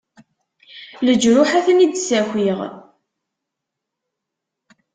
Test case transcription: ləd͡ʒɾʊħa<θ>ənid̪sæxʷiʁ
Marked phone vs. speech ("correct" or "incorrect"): correct